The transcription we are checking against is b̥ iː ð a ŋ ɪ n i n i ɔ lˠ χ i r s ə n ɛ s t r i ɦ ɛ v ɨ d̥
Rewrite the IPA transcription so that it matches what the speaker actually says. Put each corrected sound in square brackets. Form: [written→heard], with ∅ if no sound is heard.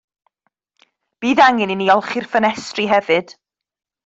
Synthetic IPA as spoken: b̥ iː ð a ŋ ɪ n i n i ɔ lˠ χ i r [s→f] ə n ɛ s t r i ɦ ɛ v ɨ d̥